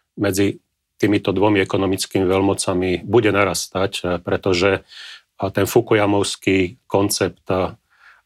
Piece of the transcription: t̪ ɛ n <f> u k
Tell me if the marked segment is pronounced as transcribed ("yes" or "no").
yes